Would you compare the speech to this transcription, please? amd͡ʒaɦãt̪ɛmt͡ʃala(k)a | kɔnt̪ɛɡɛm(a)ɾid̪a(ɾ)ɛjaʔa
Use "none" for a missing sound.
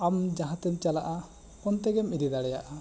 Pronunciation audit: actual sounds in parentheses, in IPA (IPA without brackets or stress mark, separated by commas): ʔ, i, ɽ